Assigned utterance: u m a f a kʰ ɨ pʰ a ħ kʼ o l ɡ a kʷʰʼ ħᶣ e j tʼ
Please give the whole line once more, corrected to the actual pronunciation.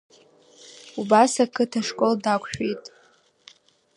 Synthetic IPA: u b a s a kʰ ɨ tʰ a ʂ kʼ o l d a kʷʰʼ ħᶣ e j tʼ